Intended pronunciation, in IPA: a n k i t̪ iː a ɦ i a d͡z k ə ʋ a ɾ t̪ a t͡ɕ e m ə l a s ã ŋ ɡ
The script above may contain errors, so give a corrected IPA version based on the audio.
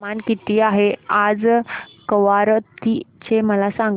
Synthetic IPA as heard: a n k i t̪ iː a ɦ e a d͡z k ə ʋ a ɾ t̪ i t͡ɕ e m ə l a s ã ŋ ɡ